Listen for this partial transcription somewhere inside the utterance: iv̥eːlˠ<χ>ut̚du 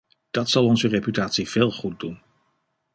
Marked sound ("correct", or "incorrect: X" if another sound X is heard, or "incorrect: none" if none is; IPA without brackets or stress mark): correct